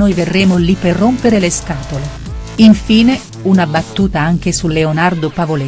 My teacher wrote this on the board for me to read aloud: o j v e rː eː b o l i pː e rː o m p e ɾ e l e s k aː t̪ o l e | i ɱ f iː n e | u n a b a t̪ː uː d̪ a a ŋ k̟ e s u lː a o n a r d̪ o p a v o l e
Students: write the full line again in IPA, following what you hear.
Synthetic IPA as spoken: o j v e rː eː m o l i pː e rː o m p e ɾ e l e s k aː t̪ o l e | i ɱ f iː n e | u n a b a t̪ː uː t̪ a a ŋ k̟ e s u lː e o n a r d̪ o p a v o l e